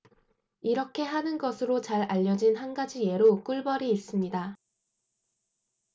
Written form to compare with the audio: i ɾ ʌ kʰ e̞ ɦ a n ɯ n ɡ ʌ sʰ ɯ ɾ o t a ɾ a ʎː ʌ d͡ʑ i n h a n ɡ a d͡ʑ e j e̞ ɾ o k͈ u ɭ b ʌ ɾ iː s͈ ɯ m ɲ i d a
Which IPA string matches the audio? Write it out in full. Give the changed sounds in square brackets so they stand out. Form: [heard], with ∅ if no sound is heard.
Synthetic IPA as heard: i ɾ ʌ kʰ e̞ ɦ a n ɯ n ɡ ʌ sʰ ɯ ɾ o [t͡ɕ] a ɾ a ʎː ʌ d͡ʑ i n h a n ɡ a d͡ʑ [i] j e̞ ɾ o k͈ u ɭ b ʌ ɾ iː s͈ ɯ m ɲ i d a